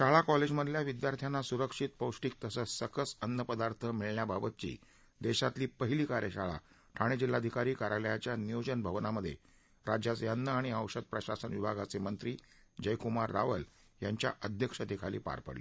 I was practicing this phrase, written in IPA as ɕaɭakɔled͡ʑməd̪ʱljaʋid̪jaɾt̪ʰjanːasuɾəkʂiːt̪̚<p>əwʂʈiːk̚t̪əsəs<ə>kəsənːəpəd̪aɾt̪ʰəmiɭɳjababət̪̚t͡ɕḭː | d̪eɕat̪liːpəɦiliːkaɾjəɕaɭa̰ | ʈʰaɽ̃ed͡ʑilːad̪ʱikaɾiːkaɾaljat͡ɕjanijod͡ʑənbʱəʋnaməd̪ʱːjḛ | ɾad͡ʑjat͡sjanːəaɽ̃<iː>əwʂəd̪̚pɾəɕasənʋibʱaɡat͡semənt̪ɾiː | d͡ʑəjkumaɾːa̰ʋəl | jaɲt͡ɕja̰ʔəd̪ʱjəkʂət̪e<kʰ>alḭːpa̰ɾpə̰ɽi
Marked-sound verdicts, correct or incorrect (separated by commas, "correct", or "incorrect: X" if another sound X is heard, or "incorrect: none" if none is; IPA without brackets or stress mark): correct, correct, incorrect: i, correct